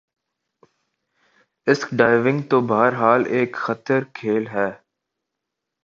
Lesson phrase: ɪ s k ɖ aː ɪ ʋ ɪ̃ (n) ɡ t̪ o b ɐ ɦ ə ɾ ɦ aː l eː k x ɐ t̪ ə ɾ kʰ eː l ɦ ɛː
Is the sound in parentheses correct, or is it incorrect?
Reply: incorrect